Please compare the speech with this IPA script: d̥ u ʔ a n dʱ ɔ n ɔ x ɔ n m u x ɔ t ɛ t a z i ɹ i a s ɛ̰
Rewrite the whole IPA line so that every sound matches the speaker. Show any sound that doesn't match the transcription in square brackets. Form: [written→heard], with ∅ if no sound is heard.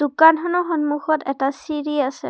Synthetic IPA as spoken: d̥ u [ʔ→k] a n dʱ ɔ n ɔ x ɔ n m u x ɔ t ɛ t a [z→s] i ɹ i a s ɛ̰